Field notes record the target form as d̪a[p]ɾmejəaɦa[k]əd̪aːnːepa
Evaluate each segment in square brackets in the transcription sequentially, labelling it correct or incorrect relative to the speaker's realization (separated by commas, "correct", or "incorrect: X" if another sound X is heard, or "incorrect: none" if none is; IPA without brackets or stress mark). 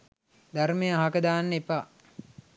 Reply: incorrect: none, correct